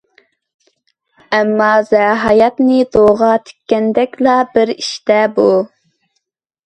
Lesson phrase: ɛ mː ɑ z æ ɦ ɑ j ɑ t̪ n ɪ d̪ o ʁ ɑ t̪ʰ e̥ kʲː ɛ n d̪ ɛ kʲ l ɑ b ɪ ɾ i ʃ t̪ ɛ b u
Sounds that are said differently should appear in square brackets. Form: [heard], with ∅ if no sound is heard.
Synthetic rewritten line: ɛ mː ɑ z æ ɦ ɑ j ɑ t̪ n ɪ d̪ o ʁ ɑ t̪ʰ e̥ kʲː ɛ n d̪ ɛ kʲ l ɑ b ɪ ɾ i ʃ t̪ ɛ b u